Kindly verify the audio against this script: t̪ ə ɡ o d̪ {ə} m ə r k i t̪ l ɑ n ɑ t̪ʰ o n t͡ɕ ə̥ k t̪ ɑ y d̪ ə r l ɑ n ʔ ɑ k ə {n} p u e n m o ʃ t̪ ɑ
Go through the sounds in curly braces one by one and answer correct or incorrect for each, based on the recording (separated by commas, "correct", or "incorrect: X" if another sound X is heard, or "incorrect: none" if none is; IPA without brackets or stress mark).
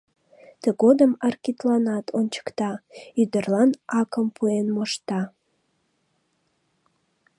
correct, incorrect: m